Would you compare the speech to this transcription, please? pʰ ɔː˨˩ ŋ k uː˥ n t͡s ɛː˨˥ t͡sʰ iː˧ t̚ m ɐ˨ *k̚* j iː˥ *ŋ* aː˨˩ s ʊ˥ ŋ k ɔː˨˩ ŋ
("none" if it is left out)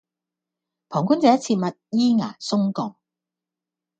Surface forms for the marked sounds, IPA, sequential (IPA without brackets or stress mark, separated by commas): t̚, ŋ